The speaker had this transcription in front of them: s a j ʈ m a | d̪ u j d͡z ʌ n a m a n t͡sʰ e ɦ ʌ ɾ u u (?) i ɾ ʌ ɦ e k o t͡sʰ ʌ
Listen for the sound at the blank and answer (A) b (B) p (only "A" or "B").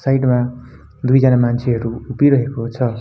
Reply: B